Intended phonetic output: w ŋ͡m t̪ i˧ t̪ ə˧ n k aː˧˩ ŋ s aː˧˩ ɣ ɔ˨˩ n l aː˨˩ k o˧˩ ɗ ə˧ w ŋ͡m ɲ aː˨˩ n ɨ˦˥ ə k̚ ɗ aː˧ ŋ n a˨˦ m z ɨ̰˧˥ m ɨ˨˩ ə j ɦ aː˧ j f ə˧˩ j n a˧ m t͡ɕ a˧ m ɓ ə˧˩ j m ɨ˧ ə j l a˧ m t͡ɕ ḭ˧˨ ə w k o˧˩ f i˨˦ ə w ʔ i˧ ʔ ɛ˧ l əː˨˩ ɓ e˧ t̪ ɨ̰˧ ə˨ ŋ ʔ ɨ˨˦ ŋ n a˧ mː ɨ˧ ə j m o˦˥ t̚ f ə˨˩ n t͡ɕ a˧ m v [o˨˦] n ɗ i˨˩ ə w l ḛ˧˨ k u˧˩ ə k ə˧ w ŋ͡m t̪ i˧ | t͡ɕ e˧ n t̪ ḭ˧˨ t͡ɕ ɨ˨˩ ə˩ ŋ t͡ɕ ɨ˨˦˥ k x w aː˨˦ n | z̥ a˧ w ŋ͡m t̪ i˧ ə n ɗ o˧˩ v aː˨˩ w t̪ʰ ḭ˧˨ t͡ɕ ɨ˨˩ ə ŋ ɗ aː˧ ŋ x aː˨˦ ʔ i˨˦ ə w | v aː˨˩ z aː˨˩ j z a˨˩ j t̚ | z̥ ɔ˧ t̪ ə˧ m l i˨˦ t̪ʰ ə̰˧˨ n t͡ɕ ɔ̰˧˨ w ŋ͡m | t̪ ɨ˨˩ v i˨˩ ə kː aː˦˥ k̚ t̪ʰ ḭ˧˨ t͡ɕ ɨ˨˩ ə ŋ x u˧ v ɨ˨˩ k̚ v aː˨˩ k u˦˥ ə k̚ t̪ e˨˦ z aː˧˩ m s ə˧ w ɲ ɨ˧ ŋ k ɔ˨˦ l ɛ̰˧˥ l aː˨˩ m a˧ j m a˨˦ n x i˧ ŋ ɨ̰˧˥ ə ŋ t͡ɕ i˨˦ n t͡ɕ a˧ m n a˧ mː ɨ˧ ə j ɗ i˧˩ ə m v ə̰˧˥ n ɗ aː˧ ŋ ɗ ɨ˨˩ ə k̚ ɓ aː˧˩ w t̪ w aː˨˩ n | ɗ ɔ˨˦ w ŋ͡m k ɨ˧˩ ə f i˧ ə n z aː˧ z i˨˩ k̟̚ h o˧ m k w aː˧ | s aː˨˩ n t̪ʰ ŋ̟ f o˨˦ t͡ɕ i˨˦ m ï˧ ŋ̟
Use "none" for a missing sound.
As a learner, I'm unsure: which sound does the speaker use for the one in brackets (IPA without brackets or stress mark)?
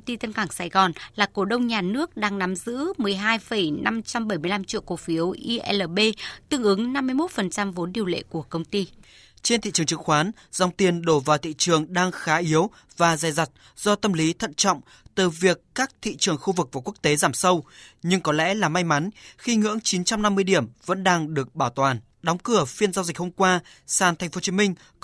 o˨˦